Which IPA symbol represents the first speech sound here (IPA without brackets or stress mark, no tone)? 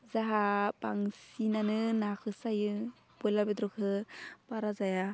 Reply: z